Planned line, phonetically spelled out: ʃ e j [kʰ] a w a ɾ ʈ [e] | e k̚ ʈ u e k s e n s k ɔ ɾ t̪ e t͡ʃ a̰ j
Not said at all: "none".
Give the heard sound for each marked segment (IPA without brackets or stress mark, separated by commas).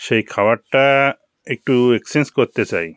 kʰ, a